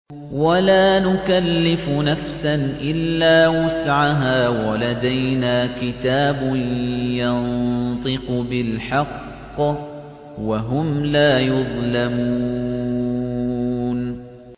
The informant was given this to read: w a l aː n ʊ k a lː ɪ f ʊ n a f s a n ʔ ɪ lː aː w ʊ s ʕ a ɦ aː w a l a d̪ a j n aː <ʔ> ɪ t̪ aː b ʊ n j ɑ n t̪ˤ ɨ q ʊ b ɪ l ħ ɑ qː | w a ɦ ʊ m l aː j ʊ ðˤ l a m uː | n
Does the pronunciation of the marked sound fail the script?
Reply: yes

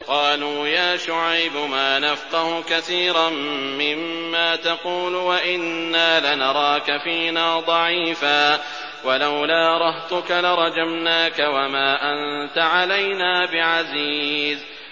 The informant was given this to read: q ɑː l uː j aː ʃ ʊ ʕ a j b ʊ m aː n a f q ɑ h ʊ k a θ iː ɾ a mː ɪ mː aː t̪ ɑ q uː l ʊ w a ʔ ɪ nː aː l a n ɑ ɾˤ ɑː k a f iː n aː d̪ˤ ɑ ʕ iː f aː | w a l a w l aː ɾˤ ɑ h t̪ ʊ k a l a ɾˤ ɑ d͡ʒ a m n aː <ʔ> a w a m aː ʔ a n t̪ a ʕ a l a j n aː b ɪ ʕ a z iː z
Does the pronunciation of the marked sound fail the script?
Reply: yes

